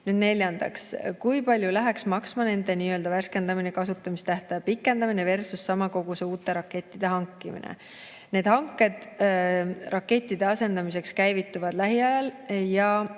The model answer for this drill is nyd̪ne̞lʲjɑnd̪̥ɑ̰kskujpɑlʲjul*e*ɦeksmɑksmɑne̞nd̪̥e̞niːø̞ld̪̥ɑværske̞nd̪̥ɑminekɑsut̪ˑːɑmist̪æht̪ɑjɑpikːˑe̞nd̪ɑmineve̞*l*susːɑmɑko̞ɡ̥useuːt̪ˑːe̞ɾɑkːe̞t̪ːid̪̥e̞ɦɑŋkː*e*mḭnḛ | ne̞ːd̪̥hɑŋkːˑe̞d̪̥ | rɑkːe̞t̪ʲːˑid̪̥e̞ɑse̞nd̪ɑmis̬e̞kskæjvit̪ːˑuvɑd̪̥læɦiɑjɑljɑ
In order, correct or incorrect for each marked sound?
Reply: incorrect: æ, incorrect: r, incorrect: i

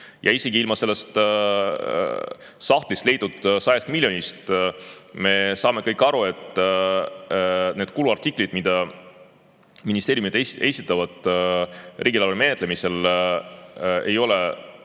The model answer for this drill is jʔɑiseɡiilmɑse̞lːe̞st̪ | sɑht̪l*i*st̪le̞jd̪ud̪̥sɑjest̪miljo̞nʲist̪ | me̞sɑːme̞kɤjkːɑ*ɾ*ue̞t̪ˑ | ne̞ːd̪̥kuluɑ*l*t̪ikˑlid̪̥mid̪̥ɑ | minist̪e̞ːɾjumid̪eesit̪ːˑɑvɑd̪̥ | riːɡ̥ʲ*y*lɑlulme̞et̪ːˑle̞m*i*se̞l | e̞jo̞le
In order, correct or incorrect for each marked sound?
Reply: correct, correct, incorrect: r, incorrect: i, correct

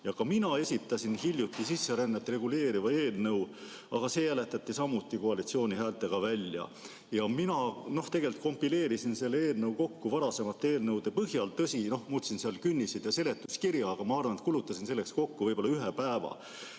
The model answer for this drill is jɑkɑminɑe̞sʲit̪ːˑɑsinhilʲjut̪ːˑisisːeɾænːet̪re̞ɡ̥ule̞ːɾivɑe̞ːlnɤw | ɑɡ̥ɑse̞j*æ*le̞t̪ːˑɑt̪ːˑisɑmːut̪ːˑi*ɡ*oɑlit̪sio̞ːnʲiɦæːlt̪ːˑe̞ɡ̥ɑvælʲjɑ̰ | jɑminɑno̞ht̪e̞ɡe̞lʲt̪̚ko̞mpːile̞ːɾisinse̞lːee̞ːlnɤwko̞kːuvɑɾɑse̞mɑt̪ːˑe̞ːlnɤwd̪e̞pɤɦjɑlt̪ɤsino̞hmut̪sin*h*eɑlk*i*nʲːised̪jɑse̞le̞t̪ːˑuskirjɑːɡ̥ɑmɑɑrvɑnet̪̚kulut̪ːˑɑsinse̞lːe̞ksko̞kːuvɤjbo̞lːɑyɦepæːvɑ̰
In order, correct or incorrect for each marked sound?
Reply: correct, incorrect: k, incorrect: s, incorrect: y

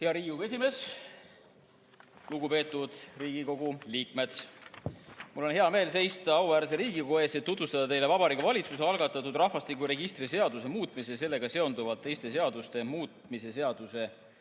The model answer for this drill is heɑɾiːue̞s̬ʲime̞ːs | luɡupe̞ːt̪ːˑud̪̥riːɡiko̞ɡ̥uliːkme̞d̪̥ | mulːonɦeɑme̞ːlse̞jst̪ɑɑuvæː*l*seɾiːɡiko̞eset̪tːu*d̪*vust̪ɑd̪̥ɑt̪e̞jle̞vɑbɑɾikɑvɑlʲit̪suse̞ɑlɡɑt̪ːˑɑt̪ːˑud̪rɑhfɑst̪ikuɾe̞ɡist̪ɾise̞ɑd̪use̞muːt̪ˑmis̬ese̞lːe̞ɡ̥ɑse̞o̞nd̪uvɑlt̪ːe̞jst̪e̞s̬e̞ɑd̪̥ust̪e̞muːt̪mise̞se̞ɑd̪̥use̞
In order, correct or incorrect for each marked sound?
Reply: incorrect: ɾ, incorrect: t̪

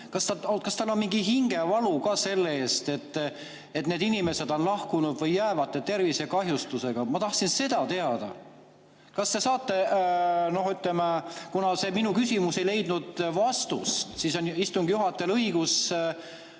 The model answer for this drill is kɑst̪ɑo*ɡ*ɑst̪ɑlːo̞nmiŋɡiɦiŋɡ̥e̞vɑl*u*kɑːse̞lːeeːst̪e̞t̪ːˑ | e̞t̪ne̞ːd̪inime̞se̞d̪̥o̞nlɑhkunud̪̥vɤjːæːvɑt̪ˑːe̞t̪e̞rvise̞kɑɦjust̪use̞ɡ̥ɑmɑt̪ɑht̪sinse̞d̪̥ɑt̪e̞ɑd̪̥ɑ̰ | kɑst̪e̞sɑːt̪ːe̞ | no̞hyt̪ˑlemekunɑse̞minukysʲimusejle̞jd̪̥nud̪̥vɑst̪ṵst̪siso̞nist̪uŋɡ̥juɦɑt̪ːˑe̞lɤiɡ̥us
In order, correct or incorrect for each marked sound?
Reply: incorrect: k, correct

